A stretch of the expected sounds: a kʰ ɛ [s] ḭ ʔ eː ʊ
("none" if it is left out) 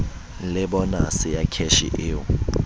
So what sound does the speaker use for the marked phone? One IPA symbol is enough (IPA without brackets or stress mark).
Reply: ʃ